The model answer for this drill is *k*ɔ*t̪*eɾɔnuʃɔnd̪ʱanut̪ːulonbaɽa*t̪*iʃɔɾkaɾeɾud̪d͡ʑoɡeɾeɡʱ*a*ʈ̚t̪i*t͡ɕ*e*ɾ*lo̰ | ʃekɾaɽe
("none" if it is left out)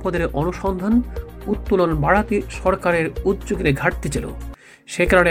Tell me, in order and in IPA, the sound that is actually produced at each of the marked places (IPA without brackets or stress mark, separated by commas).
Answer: p, d̪, t̪, a, t͡ɕ, none